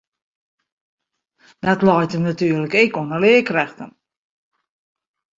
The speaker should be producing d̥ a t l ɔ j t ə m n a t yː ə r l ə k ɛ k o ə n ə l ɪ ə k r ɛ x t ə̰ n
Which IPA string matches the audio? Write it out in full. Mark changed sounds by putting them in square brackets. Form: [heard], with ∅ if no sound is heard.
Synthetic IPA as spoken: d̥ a t l ɔ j t ə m n a t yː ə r l ə k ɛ k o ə n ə l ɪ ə k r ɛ x t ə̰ n